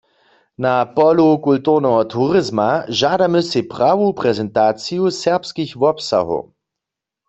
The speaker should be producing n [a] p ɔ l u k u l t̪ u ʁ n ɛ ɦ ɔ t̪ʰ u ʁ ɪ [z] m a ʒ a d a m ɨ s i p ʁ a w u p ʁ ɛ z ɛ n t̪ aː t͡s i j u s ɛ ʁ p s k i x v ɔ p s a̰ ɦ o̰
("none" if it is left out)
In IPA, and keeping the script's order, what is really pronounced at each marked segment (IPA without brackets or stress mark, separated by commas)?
a, z